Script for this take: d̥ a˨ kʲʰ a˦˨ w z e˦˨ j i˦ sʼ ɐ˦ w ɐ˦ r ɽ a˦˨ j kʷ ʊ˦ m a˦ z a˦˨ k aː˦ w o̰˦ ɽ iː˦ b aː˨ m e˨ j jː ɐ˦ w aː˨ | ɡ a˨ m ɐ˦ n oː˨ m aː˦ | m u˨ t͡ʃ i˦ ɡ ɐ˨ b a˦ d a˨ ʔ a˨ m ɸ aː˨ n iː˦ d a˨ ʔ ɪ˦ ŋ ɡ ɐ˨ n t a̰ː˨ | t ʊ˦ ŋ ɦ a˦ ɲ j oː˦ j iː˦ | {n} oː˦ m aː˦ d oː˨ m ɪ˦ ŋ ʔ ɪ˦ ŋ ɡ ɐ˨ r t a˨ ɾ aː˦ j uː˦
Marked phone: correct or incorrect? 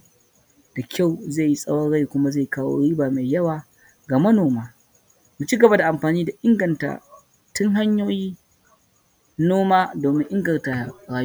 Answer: correct